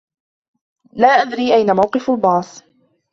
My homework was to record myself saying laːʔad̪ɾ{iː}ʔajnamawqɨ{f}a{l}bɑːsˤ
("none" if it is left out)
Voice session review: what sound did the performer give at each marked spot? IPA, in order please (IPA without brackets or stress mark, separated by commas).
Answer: iː, f, l